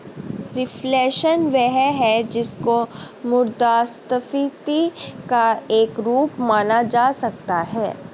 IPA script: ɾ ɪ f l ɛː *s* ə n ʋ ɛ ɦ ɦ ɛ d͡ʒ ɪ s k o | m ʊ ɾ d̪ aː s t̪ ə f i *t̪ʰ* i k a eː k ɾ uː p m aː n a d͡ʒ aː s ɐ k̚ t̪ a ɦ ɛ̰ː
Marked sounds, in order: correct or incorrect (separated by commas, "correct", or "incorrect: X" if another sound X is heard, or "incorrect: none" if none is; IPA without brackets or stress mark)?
incorrect: ʃ, incorrect: t̪